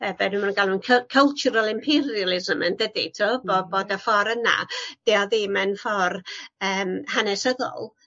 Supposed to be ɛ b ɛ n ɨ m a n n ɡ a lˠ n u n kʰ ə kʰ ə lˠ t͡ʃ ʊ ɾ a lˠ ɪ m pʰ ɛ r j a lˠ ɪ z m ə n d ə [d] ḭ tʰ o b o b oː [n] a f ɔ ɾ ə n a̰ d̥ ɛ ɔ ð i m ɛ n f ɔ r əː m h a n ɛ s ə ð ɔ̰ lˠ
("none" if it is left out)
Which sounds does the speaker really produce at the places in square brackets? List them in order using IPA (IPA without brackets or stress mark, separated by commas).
d, d